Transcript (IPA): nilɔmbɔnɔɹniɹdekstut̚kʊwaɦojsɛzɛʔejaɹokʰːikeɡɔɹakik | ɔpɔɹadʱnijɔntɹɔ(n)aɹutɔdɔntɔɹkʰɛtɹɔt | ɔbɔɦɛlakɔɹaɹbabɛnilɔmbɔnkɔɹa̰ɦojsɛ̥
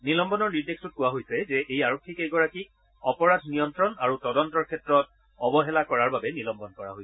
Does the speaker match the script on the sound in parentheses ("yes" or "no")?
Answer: yes